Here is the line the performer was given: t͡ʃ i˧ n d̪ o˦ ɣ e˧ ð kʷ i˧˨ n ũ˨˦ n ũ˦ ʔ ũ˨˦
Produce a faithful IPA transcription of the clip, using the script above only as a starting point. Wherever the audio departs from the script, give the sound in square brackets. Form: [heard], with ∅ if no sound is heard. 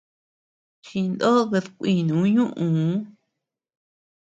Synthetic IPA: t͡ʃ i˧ n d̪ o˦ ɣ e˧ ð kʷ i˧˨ n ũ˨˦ [ɲ] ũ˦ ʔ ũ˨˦